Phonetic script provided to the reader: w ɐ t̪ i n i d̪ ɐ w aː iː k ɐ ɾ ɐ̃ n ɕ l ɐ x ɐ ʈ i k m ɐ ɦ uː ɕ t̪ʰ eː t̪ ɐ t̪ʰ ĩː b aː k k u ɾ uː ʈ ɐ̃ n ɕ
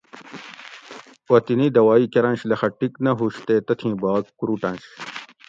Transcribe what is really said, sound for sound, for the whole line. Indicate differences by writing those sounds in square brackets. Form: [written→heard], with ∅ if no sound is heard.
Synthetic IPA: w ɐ t̪ i n i d̪ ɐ w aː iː k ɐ ɾ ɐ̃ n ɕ l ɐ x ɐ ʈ i k [m→n] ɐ ɦ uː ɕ [t̪ʰ→t̪] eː t̪ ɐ t̪ʰ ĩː b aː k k u ɾ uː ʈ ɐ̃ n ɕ